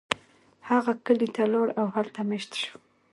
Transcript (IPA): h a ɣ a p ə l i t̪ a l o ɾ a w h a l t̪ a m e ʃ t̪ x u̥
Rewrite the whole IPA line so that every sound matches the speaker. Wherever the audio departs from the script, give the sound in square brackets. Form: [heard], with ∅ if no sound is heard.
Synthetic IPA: h a ɣ a [k] ə l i t̪ a l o [ɽ] a w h a l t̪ a m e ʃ t̪ [ʃ] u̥